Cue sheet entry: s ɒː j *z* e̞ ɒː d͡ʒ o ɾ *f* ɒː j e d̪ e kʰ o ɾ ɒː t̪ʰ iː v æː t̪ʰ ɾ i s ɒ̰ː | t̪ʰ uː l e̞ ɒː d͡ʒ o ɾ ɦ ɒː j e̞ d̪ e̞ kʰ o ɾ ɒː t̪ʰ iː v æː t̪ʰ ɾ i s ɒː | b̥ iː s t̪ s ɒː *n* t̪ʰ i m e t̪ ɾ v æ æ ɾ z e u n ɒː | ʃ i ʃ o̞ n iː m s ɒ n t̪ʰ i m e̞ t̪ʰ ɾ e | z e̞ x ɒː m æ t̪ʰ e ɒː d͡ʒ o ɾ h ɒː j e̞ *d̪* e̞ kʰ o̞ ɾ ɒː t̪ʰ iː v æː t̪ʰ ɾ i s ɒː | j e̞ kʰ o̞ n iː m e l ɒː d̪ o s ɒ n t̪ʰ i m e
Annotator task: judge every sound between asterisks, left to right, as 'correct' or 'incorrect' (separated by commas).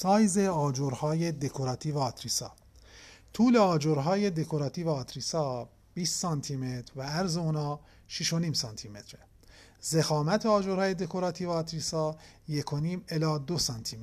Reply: correct, incorrect, correct, correct